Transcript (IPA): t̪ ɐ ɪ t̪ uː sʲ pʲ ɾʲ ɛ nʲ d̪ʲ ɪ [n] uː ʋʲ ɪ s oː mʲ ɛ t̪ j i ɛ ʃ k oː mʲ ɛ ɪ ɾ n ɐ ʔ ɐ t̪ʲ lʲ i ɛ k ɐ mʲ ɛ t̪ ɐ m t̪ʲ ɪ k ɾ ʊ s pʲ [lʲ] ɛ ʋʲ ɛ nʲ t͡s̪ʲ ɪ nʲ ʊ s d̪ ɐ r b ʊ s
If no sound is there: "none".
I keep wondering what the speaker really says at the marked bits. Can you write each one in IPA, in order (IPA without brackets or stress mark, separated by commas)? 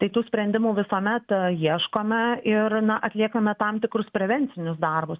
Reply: m, ɾʲ